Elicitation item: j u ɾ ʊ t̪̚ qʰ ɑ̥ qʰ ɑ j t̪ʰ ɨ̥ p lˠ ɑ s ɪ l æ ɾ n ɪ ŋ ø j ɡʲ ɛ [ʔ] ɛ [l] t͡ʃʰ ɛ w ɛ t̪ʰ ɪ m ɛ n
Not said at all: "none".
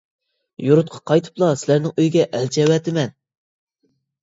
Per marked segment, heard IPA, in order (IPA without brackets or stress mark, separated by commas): ʔ, l